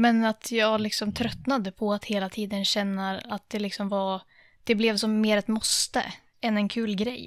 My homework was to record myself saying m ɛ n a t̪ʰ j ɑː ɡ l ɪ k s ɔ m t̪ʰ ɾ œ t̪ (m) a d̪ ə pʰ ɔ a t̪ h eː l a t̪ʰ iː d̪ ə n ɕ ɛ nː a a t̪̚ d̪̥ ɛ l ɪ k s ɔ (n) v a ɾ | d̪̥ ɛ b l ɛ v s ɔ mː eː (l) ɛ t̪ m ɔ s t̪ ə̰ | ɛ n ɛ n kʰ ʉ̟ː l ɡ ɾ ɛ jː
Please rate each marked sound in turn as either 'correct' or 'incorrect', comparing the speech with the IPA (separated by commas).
incorrect, incorrect, incorrect